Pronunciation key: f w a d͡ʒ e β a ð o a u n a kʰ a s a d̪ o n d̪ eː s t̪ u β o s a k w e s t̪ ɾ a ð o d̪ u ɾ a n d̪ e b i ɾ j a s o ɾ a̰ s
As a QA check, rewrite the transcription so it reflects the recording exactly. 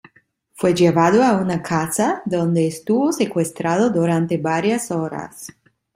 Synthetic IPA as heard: f w e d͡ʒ e β a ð o a u n a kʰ a s a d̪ o n d̪ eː s t̪ u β o s e k w e s t̪ ɾ a ð o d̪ u ɾ a n t̪ e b a ɾ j a s o ɾ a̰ s